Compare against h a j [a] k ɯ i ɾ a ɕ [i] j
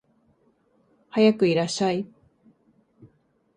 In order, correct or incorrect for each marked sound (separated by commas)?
correct, incorrect